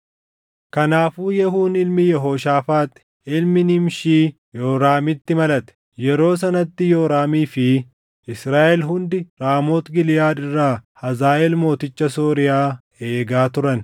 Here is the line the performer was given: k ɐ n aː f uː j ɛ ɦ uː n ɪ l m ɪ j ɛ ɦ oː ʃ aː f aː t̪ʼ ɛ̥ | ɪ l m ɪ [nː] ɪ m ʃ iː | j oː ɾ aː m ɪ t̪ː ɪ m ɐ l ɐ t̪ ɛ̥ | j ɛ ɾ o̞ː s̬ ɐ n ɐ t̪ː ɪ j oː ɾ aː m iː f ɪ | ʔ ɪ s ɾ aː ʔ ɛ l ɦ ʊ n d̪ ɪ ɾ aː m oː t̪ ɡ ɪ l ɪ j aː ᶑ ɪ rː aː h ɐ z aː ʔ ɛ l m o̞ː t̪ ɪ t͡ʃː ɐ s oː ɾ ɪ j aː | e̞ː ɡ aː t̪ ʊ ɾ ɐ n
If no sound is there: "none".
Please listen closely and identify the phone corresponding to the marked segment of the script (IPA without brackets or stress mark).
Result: n